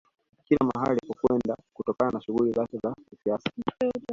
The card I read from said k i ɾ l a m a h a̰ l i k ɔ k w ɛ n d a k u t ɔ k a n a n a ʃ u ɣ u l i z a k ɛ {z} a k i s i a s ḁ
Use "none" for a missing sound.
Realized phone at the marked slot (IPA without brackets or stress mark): z